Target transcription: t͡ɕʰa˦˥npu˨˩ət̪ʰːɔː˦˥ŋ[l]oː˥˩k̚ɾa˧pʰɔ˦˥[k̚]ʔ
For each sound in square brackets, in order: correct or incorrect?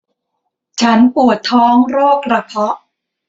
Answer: incorrect: ɾ, incorrect: none

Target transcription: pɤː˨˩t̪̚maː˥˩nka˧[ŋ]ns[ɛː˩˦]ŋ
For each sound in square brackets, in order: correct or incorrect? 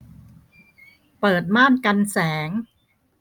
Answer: incorrect: none, correct

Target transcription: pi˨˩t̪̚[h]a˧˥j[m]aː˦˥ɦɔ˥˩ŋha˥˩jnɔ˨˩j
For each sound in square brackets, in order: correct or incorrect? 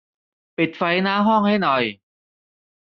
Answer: incorrect: f, incorrect: n

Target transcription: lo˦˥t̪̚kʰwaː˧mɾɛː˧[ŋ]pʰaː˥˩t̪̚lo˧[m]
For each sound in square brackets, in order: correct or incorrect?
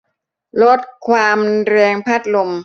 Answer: correct, correct

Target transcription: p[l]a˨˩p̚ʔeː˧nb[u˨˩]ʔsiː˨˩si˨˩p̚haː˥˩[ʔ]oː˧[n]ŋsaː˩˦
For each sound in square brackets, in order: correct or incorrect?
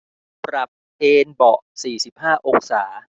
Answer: incorrect: ɾ, incorrect: ɔ˨˩, correct, incorrect: none

